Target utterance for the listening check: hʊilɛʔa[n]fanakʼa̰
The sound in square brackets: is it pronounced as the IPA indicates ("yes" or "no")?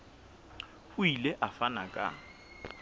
no